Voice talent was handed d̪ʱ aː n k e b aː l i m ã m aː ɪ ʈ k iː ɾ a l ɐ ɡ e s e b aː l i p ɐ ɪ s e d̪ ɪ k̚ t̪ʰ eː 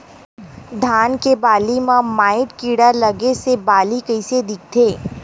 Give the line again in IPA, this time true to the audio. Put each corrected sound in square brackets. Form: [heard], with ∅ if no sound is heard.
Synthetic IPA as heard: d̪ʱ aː n k e b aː l i m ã m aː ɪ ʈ k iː [ɽ] a l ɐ ɡ e s e b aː l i [k] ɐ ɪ s e d̪ ɪ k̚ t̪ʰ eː